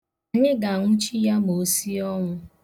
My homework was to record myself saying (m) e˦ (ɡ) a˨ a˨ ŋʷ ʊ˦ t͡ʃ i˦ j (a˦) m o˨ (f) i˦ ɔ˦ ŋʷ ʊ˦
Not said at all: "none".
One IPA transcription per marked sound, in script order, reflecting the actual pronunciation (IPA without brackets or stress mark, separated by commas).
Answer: ɲ, ɡ, a˦, s